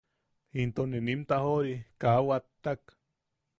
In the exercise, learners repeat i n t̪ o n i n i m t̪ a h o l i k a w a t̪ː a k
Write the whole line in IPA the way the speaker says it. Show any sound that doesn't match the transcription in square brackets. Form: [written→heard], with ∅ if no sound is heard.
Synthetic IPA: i n t̪ o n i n i m t̪ a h o [l→ɾ] i k a w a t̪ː a k